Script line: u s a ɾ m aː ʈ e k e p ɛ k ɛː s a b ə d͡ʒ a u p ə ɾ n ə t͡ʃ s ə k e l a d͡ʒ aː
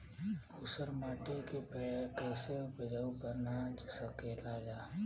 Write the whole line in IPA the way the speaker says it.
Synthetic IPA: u s ə ɾ m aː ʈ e k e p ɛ k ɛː s e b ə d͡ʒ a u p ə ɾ n a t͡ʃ s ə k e l a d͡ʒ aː